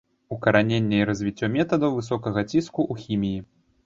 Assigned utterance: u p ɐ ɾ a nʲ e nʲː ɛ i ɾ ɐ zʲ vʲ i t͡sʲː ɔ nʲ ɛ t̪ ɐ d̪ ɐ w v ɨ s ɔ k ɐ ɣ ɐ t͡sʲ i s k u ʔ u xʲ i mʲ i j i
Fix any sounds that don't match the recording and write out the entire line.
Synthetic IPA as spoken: u k ɐ ɾ a nʲ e nʲː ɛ i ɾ ɐ zʲ vʲ i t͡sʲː ɔ mʲ ɛ t̪ ɐ d̪ ɐ w v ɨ s ɔ k ɐ ɣ ɐ t͡sʲ i s k u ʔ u xʲ i mʲ i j i